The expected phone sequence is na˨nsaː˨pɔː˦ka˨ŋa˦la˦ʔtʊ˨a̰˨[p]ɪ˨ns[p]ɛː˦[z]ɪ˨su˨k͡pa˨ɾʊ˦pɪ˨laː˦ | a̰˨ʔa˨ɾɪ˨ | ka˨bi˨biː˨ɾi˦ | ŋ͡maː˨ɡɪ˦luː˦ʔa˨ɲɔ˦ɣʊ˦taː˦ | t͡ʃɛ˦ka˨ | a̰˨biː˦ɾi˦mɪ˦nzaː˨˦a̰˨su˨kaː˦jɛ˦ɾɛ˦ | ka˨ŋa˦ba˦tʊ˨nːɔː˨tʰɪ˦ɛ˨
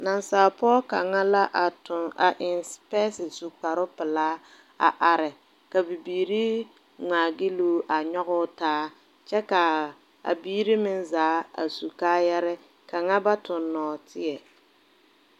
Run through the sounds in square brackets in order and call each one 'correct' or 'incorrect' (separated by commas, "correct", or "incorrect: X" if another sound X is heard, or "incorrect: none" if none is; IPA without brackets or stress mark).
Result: incorrect: ʔ, correct, incorrect: s